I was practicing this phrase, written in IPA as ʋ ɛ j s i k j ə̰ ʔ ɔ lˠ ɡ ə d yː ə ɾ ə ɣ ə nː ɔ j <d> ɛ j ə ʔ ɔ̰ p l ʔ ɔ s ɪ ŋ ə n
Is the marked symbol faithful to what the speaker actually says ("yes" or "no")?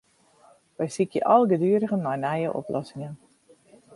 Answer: no